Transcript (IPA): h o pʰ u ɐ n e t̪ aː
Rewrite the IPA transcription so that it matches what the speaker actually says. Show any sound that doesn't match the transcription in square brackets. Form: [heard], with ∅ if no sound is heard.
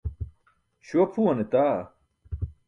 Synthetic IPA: [ɕ] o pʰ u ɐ n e t̪ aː